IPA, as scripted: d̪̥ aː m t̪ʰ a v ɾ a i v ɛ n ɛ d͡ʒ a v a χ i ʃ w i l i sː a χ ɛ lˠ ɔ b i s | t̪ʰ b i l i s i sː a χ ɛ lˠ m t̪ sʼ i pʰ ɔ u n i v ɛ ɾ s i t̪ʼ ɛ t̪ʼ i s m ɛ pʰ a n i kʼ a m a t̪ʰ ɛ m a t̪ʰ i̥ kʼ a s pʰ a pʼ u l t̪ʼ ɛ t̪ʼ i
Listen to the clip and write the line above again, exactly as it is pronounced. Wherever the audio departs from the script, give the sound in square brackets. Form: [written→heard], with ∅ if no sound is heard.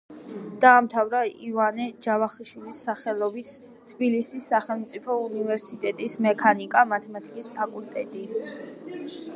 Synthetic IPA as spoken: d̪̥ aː m t̪ʰ a v ɾ a i v [ɛ→a] n ɛ d͡ʒ a v a χ i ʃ w i l i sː a χ ɛ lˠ ɔ b i s | t̪ʰ b i l i s i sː a χ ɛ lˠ m t̪ sʼ i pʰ ɔ u n i v ɛ ɾ s i t̪ʼ ɛ t̪ʼ i s m ɛ [pʰ→kʰ] a n i kʼ a m a t̪ʰ ɛ m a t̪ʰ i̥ kʼ [a→i] s pʰ a [pʼ→kʼ] u l t̪ʼ ɛ t̪ʼ i